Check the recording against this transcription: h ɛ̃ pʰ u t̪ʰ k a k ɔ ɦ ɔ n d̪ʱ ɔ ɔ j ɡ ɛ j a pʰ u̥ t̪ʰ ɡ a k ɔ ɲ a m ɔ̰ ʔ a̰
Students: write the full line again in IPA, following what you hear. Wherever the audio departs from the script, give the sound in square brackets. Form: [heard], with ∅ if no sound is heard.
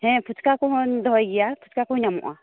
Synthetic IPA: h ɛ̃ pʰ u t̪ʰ k a k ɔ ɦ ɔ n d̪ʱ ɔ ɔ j ɡ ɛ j a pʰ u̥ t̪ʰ [k] a k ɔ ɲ a m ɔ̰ ʔ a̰